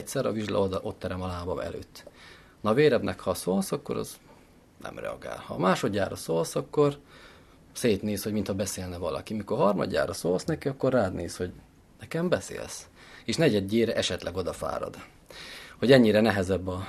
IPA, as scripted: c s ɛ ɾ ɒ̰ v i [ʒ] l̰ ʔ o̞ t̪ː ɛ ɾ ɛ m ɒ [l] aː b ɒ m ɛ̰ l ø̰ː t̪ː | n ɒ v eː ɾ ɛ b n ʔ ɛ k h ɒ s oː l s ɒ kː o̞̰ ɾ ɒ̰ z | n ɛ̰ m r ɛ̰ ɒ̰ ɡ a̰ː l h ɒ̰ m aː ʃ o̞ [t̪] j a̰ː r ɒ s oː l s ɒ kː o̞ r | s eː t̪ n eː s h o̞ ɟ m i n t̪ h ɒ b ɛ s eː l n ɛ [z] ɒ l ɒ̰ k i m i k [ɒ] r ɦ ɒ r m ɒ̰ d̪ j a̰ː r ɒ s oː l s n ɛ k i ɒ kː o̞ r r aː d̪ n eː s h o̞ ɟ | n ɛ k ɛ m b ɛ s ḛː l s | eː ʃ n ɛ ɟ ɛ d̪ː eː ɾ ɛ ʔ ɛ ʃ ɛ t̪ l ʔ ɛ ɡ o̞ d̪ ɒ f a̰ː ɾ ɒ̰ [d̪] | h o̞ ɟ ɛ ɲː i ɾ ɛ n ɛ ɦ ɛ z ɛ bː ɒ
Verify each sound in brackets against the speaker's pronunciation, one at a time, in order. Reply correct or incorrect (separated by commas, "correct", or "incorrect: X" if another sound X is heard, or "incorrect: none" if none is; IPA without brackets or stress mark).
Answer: correct, correct, incorrect: d̪, incorrect: v, incorrect: o, correct